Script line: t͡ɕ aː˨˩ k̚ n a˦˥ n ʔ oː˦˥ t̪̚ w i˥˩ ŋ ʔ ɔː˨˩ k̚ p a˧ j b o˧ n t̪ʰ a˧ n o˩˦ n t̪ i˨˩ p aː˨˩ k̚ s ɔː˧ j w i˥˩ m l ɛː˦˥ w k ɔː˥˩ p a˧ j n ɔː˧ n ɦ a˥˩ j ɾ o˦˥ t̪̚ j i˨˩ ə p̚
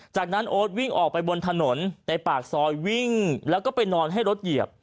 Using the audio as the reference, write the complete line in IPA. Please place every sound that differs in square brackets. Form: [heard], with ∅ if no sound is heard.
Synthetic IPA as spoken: t͡ɕ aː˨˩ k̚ n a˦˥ n ʔ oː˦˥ t̪̚ w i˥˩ ŋ ʔ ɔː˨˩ k̚ p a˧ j b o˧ n t̪ʰ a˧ n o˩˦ n t̪ [ɛ˨˩] p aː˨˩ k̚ s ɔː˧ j w i˥˩ [ŋ] l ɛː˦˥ w k ɔː˥˩ p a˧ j n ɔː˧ n ɦ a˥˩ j ɾ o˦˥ t̪̚ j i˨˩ ə p̚

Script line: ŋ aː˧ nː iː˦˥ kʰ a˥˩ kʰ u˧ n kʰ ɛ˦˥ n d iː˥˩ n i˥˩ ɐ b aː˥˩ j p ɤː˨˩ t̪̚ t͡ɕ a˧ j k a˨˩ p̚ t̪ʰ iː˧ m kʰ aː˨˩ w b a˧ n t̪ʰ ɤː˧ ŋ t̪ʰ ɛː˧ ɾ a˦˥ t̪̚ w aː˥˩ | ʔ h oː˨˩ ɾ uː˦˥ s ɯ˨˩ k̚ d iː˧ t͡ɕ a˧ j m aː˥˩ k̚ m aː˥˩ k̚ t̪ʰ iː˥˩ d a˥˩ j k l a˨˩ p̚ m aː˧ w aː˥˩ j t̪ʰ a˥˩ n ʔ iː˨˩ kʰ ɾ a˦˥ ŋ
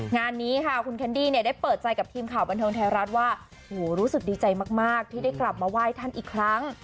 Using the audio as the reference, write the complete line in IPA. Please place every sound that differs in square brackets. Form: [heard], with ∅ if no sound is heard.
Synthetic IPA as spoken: ŋ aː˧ nː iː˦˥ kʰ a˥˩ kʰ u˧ n kʰ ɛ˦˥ n d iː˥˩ n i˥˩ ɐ [d] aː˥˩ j p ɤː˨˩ t̪̚ t͡ɕ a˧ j k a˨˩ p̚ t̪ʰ iː˧ m kʰ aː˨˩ w b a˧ n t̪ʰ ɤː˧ ŋ t̪ʰ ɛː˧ ɾ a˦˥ t̪̚ w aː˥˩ | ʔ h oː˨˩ ɾ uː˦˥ s ɯ˨˩ k̚ d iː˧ t͡ɕ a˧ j m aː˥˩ k̚ m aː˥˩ k̚ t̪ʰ iː˥˩ d a˥˩ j k l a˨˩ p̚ m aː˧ w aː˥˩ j t̪ʰ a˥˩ n ʔ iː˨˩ kʰ ɾ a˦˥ ŋ

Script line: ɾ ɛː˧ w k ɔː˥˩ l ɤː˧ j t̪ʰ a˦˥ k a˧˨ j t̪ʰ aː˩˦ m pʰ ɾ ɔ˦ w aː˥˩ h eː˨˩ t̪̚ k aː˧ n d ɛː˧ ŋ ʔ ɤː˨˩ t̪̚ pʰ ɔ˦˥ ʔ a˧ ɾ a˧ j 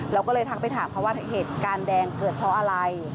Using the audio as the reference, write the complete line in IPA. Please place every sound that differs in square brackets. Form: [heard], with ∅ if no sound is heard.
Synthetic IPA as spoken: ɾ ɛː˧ w k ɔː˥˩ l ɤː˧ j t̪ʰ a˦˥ [p] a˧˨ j t̪ʰ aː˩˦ m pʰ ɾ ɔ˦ w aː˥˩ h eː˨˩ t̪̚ k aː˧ n d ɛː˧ ŋ [k] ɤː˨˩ t̪̚ pʰ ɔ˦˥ ʔ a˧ ɾ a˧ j

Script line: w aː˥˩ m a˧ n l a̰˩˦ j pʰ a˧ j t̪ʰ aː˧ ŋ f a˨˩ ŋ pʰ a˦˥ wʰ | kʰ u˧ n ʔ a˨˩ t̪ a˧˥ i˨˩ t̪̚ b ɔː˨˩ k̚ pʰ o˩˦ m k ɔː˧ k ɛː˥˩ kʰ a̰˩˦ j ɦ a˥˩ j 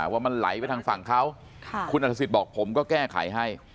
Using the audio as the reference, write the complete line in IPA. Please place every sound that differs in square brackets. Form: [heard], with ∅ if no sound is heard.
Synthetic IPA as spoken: w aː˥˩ m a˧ n l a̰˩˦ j [p] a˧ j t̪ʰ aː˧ ŋ f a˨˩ ŋ [kʰ] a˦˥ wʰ | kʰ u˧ n ʔ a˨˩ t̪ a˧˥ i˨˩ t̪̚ b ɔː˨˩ k̚ pʰ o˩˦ m k [ɔː˥˩] k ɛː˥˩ kʰ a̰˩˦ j ɦ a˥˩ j

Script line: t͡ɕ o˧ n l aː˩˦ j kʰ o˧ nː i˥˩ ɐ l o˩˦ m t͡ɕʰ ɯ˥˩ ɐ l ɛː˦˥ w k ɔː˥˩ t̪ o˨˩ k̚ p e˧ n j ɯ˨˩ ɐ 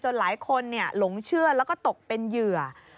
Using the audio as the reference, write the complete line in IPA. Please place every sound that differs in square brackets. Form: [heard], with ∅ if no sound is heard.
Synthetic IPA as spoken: t͡ɕ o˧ n l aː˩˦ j kʰ o˧ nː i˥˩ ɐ l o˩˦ [ŋ] t͡ɕʰ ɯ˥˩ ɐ l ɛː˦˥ w k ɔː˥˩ t̪ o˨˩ k̚ p e˧ n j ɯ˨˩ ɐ

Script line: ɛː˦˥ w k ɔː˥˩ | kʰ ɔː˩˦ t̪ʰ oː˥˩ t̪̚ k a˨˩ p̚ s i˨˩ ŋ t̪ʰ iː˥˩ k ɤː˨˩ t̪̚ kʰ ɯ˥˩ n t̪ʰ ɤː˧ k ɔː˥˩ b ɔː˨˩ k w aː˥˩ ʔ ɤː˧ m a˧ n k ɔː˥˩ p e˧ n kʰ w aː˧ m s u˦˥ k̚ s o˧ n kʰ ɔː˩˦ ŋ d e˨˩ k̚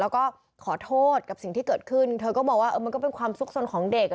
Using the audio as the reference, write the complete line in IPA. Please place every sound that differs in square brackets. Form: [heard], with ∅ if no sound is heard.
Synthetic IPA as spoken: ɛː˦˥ w k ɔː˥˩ | kʰ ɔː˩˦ t̪ʰ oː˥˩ t̪̚ k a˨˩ p̚ s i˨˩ ŋ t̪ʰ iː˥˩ k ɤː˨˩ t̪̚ kʰ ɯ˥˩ n t̪ʰ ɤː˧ k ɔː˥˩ b ɔː˨˩ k w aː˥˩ ʔ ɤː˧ m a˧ n k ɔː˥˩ p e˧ n kʰ w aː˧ m s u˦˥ k̚ s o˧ n kʰ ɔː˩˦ ŋ d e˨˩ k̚

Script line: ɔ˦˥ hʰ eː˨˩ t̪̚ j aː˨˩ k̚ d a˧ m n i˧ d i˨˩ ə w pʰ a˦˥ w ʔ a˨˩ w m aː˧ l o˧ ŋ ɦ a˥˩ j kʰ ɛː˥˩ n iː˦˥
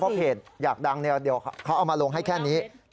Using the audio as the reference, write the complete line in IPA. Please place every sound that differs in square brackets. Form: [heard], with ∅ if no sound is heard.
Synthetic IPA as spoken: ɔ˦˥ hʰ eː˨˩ t̪̚ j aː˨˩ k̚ d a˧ [ŋ] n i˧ d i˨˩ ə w [kʰ] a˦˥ w ʔ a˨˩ w m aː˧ l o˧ ŋ ɦ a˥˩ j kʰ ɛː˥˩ n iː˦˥

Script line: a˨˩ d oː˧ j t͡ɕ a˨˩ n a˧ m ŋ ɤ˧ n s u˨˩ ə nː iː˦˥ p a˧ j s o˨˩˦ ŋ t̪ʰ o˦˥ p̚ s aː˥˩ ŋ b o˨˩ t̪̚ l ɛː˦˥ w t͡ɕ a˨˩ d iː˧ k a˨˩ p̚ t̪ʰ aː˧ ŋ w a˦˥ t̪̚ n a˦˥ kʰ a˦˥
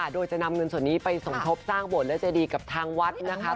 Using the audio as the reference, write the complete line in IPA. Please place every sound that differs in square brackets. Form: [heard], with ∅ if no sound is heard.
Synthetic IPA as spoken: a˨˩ d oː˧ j t͡ɕ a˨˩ n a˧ m ŋ ɤ˧ n s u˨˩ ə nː iː˦˥ p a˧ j s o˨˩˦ ŋ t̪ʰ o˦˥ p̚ s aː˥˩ ŋ b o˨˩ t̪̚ l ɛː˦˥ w t͡ɕ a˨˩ d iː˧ k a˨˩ p̚ t̪ʰ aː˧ ŋ w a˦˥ t̪̚ n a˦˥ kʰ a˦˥

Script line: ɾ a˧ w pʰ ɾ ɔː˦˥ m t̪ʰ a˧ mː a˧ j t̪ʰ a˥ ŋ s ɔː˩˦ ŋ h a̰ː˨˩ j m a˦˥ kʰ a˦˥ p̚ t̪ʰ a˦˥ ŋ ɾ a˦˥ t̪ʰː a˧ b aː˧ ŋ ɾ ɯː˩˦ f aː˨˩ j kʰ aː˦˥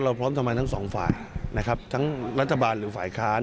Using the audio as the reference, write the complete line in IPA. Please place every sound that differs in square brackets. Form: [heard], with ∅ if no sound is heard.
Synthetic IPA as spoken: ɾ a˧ w pʰ ɾ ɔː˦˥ m t̪ʰ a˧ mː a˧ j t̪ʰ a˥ ŋ s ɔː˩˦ ŋ [f] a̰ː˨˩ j [n] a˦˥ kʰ a˦˥ p̚ t̪ʰ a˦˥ ŋ ɾ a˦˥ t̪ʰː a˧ b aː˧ [n] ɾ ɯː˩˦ f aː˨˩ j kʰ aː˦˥

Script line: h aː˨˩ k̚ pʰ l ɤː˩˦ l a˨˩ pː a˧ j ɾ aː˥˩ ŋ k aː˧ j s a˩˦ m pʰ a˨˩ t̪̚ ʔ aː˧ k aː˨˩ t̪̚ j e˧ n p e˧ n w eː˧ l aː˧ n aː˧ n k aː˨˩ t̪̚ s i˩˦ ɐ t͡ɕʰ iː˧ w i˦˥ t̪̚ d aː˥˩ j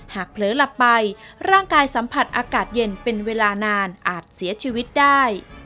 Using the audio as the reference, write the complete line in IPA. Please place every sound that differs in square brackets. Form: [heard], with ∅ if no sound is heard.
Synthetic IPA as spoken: h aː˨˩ k̚ pʰ l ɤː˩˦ l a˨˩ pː a˧ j ɾ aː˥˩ ŋ k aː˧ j s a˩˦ m pʰ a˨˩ t̪̚ ʔ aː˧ k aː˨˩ t̪̚ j e˧ n p e˧ n w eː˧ l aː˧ n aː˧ n [ʔ] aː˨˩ t̪̚ s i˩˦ ɐ t͡ɕʰ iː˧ w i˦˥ t̪̚ d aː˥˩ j

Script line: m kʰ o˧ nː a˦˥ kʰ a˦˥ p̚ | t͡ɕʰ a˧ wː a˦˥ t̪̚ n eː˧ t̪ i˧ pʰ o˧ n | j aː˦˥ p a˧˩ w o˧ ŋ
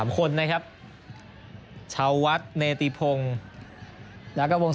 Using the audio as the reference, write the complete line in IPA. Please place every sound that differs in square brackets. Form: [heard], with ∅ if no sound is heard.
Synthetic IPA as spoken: m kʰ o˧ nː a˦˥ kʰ a˦˥ p̚ | t͡ɕʰ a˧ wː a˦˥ t̪̚ n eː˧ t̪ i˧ pʰ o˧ [ŋ] | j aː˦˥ [k] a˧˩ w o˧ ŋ

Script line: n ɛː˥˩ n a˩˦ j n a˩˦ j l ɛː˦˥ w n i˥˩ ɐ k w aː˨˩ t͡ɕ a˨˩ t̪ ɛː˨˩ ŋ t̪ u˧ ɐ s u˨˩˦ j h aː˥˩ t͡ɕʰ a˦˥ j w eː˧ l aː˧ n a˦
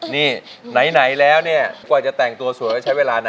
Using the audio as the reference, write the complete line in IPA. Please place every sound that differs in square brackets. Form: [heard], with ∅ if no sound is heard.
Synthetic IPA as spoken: n [iː˥˩] n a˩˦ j n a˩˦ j l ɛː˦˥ w n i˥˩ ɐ k w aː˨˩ t͡ɕ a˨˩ t̪ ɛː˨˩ ŋ t̪ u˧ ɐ s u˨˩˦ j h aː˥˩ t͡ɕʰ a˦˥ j w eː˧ l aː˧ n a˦

